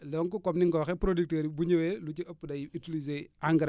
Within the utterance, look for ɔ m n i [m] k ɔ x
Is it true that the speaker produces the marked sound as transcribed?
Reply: no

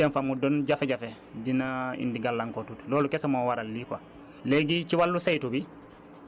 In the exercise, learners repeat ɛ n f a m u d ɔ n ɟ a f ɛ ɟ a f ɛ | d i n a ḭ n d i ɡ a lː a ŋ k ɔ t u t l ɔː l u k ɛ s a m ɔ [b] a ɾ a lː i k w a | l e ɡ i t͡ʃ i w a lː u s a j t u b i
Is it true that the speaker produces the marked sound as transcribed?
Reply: no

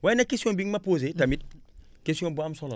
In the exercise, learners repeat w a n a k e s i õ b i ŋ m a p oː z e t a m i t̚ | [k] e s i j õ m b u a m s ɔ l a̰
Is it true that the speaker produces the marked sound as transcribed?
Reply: yes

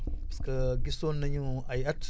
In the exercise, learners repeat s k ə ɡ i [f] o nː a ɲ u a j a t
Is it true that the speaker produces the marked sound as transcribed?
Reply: no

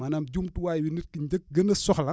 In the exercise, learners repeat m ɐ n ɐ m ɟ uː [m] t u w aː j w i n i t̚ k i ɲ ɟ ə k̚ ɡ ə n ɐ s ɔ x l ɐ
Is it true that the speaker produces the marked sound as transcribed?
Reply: yes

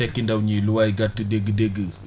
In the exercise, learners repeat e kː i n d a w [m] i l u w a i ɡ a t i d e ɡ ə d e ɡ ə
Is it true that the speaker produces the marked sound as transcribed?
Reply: no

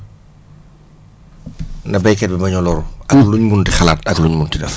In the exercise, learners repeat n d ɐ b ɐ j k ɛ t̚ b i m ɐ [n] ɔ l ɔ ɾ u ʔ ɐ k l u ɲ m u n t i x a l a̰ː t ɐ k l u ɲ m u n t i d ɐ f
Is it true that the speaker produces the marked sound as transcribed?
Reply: no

